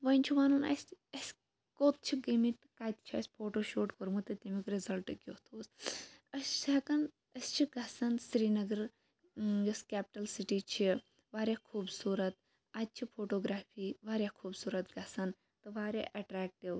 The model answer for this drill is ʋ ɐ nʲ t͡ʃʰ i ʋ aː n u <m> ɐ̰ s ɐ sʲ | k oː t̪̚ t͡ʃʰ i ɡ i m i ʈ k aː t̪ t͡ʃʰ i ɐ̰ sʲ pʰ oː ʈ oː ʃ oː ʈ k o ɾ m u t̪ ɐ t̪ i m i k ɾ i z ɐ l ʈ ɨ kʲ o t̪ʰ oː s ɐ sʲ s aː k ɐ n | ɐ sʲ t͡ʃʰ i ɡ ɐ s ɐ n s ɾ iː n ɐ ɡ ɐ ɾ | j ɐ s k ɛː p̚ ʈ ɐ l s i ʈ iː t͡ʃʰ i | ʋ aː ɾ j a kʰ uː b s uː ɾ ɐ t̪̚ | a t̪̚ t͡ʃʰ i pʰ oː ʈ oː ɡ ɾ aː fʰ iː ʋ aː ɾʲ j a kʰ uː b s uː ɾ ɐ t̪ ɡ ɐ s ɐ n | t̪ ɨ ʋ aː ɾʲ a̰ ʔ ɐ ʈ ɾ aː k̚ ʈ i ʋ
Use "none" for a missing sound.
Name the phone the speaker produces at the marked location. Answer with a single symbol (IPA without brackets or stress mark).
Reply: n